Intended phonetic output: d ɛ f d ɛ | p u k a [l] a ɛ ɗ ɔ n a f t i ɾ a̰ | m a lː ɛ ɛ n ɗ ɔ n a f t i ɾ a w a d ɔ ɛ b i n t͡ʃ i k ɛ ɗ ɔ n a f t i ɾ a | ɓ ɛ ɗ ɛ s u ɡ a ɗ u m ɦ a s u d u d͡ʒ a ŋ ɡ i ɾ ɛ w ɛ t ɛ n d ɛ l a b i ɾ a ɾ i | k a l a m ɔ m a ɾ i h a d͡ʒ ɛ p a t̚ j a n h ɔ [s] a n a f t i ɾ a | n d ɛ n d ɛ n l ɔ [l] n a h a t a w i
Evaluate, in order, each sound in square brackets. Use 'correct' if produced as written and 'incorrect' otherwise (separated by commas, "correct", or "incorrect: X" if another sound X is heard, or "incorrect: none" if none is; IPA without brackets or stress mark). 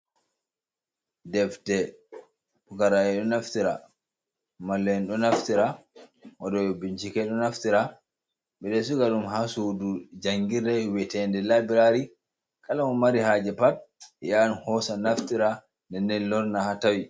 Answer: incorrect: ɾ, correct, incorrect: ɾ